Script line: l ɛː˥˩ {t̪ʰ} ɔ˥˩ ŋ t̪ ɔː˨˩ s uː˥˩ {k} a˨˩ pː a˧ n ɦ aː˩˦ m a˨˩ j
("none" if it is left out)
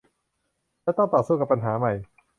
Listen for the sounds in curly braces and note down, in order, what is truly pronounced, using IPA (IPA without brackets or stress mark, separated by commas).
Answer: t̪, k